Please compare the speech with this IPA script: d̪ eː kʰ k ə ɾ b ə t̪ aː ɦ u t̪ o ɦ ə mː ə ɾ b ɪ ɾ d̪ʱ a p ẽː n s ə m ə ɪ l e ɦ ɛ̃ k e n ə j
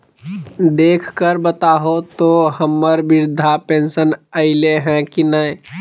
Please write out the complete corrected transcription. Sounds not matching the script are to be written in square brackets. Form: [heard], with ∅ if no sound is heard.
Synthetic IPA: d̪ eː kʰ k ə ɾ b ə t̪ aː ɦ [o] t̪ o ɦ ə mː ə ɾ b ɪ ɾ d̪ʱ a p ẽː n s ə [n] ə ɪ l e ɦ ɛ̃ k [i] n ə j